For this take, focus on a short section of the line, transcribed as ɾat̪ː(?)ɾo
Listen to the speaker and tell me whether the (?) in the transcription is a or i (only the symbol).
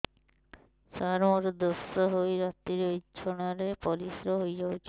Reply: i